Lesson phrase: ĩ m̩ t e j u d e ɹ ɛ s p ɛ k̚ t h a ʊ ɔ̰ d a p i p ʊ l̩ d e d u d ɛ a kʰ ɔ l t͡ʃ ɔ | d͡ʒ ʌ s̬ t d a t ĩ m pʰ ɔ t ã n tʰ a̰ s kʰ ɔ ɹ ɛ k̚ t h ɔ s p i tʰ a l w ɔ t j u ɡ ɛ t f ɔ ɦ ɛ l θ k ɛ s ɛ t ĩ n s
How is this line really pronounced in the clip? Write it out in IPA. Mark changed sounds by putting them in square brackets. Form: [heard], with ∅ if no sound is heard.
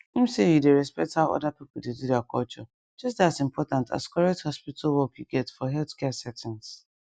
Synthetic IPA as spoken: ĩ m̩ [s] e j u d e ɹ ɛ s p ɛ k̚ t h a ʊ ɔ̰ d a p i p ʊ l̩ d e d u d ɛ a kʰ ɔ l t͡ʃ ɔ | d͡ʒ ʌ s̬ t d a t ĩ m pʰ ɔ t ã n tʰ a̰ s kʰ ɔ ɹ ɛ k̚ t h ɔ s p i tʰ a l w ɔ [k] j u ɡ ɛ t f ɔ ɦ ɛ l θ k ɛ s ɛ t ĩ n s